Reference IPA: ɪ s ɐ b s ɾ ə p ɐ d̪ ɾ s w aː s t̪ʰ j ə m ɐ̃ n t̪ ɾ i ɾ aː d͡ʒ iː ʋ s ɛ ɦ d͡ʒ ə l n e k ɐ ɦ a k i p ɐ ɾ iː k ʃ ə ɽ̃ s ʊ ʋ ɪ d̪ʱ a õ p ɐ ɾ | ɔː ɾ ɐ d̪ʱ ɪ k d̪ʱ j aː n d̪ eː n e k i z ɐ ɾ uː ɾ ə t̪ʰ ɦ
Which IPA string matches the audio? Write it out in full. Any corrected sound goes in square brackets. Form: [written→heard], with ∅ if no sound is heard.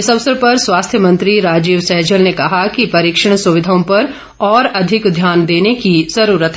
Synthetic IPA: ɪ s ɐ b s ɾ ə p ɐ [d̪→∅] ɾ s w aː s t̪ʰ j ə m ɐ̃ n t̪ ɾ i ɾ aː d͡ʒ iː ʋ s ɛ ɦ d͡ʒ ə l n e k ɐ ɦ a k i p ɐ ɾ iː k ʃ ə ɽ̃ s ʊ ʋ ɪ d̪ʱ a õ p ɐ ɾ | ɔː ɾ ɐ d̪ʱ ɪ k d̪ʱ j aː n d̪ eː n e k i z ɐ ɾ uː ɾ ə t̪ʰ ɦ

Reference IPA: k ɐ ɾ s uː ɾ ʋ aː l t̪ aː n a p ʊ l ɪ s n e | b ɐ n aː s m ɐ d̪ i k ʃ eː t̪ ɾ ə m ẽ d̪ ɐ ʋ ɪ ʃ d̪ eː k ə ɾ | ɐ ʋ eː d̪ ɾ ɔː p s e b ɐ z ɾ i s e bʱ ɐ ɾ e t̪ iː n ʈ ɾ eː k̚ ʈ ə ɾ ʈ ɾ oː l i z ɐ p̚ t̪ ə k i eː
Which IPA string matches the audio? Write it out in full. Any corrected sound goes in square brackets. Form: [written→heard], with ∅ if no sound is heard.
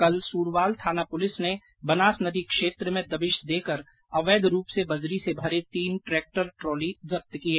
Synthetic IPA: k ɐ [ɾ→l] s uː ɾ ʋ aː l [t̪→t̪ʰ] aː n a p ʊ l ɪ s n e | b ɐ n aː s [m→n] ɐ d̪ i k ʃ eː t̪ ɾ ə m ẽ d̪ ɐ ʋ ɪ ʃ d̪ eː k ə ɾ | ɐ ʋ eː d̪ ɾ [ɔː→uː] p s e b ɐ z ɾ i s e bʱ ɐ ɾ e t̪ iː n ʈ ɾ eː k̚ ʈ ə ɾ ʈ ɾ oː l i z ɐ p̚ t̪ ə k i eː

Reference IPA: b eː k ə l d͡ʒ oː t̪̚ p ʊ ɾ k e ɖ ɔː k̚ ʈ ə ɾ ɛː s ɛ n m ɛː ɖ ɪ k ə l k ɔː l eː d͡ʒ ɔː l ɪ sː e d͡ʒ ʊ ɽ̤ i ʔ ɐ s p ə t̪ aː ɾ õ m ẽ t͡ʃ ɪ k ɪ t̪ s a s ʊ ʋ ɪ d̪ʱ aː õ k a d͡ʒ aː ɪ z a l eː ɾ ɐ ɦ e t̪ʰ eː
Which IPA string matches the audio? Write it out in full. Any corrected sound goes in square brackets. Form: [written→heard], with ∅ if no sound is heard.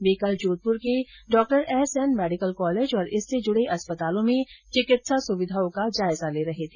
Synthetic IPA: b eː k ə l d͡ʒ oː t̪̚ p ʊ ɾ k e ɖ ɔː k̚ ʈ ə ɾ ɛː s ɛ n m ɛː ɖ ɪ k ə l k ɔː l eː d͡ʒ ɔː [l→ɾ] ɪ sː e d͡ʒ ʊ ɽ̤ [i→e] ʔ ɐ s p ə t̪ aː [ɾ→l] õ m ẽ t͡ʃ ɪ k ɪ t̪ s a s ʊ ʋ ɪ d̪ʱ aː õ k a d͡ʒ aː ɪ z a l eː ɾ ɐ ɦ e t̪ʰ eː

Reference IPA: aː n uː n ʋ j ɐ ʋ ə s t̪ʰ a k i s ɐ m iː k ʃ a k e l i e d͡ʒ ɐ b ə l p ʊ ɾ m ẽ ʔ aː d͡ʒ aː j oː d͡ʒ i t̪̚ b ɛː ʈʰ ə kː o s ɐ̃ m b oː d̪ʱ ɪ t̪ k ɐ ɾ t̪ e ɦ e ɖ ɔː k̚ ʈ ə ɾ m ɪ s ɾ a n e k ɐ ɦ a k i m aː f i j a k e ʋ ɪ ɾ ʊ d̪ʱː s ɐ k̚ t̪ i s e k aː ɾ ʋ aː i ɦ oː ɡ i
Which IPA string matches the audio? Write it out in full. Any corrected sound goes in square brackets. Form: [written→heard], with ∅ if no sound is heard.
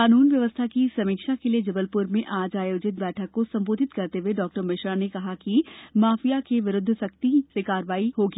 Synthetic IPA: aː n uː n ʋ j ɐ ʋ ə s t̪ʰ a k i s ɐ m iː k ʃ a k e l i e d͡ʒ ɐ b ə l p ʊ ɾ m ẽ ʔ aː d͡ʒ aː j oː d͡ʒ [i→ɪ] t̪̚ b ɛː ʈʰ ə kː o s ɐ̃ m b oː d̪ʱ ɪ t̪ k ɐ ɾ t̪ e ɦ e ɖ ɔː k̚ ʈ ə ɾ m ɪ [s→ʃ] ɾ a n e k ɐ ɦ a k i m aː f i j a k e ʋ ɪ ɾ ʊ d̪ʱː s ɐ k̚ t̪ i s e k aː ɾ ʋ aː i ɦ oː ɡ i

